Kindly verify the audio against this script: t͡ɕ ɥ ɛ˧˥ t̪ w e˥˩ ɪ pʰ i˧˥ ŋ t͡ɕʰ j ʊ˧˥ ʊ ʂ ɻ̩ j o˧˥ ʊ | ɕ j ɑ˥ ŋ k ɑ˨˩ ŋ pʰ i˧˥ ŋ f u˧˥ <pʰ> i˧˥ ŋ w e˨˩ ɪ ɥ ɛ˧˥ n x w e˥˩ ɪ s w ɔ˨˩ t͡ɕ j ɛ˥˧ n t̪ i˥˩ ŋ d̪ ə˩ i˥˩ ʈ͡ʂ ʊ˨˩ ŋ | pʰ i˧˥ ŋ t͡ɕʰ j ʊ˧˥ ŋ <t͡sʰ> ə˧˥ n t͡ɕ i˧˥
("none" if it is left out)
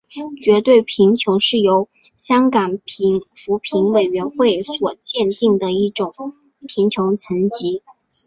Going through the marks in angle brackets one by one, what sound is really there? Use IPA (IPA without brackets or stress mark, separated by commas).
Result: pʰ, t͡sʰ